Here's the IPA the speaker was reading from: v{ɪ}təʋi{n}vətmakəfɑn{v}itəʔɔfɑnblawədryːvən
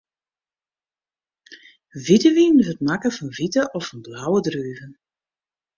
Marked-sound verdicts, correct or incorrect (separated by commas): incorrect, correct, correct